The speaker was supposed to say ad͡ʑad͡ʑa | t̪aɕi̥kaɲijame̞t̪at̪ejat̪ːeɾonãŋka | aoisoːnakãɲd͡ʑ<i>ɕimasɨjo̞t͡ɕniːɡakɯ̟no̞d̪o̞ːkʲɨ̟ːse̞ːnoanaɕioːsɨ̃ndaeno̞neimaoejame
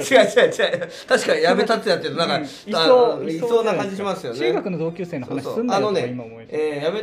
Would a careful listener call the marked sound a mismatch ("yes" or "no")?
no